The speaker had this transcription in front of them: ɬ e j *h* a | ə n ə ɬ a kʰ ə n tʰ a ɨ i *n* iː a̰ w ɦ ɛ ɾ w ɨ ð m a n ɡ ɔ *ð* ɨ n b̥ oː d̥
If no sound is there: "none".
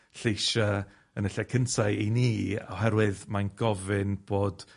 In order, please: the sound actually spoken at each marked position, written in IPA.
ʃ, n, v

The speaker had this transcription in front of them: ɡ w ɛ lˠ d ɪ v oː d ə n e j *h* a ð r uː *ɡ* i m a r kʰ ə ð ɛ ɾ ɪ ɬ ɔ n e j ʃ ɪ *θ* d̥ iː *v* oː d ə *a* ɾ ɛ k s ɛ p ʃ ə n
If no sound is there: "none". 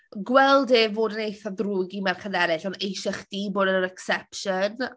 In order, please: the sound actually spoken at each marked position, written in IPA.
θ, ɡ, χ, b, ə

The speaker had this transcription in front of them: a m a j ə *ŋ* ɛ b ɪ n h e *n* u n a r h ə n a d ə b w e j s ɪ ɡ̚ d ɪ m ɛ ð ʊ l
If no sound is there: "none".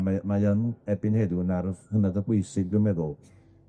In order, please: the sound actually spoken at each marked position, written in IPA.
n, d

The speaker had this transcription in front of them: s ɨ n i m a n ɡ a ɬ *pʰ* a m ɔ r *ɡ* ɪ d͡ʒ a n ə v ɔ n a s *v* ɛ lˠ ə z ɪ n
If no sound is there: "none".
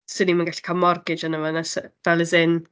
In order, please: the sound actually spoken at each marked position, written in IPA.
kʰ, ɡ, v

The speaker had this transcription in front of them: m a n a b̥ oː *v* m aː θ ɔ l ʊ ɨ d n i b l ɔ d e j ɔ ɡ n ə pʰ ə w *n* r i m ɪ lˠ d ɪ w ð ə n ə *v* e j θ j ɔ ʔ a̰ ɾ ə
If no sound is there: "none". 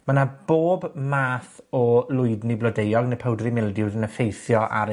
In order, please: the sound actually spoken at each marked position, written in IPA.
b, d, f

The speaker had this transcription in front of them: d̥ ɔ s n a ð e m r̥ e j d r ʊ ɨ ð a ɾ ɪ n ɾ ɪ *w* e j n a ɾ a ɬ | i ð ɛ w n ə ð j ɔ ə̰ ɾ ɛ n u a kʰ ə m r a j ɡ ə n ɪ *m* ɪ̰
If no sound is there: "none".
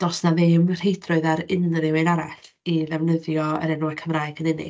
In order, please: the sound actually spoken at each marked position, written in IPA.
w, n

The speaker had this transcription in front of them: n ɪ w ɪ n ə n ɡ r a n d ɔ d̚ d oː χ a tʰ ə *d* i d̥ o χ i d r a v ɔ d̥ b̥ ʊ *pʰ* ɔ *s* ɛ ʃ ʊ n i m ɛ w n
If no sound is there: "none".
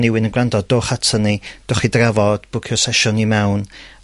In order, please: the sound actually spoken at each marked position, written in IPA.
n, kʰ, s

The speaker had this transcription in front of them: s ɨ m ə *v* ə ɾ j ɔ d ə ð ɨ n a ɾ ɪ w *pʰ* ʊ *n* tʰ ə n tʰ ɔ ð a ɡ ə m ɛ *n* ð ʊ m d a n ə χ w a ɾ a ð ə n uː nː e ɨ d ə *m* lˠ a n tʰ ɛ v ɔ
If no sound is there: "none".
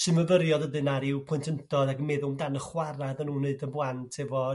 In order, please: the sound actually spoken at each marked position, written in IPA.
v, pʰ, n, none, b

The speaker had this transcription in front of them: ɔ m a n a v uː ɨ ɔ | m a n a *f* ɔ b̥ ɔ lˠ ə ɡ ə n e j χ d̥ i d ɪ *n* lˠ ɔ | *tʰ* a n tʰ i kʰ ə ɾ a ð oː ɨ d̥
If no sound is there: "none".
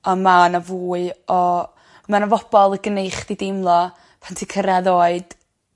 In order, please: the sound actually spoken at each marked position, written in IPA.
v, m, pʰ

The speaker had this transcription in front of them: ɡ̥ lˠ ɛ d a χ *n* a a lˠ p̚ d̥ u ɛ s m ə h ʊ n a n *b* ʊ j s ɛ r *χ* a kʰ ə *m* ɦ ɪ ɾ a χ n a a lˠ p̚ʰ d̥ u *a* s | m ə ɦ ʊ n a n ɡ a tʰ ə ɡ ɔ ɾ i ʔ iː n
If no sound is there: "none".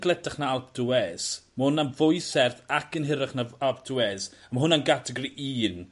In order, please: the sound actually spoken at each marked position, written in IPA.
n, v, θ, n, ɛ

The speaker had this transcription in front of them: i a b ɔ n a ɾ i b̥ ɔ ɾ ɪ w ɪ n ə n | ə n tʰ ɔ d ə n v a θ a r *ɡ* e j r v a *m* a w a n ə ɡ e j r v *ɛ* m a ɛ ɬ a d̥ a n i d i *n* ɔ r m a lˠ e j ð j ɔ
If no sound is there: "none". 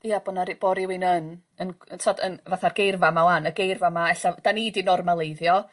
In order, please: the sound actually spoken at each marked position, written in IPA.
ɡ, m, a, n

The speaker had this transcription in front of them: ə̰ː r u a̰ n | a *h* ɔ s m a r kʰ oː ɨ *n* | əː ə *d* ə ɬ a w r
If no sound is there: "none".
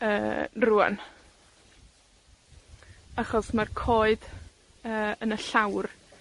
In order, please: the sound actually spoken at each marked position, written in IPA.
χ, d, n

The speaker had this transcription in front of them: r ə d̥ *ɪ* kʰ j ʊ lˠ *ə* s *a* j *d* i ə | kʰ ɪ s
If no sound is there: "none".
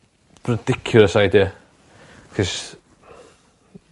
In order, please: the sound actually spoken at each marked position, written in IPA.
ɪ, ə, a, d

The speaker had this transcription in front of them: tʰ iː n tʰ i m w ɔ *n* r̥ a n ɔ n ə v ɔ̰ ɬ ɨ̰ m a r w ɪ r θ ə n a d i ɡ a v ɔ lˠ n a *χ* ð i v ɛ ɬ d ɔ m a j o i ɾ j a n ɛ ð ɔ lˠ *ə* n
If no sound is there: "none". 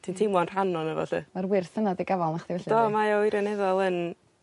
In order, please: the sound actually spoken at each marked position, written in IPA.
n, χ, ə

